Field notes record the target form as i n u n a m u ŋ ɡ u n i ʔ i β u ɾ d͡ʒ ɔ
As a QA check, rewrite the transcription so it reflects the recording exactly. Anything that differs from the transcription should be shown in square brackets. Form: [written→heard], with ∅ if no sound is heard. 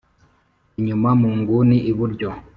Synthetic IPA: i [n→ɲ] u [n→m] a m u ŋ ɡ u n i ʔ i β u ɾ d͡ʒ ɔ